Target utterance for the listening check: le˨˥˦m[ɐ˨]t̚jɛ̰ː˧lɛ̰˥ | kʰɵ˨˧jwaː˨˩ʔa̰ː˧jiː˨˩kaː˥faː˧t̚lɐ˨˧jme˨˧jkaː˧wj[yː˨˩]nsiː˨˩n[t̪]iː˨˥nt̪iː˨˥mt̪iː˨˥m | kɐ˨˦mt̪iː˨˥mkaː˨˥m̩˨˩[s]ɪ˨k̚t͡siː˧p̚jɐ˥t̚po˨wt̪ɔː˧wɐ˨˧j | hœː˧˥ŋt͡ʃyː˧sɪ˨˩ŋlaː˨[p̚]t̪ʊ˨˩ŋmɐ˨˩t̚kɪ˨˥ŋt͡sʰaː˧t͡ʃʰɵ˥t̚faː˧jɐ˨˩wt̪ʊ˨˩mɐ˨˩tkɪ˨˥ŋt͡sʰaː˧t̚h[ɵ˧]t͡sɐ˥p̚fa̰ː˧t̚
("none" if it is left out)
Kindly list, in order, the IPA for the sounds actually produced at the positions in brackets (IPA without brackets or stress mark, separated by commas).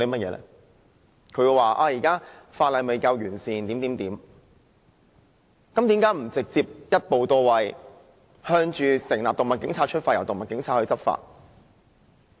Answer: ɐ˥, yː˨˩, t̪, t͡s, p̚, ɵ˧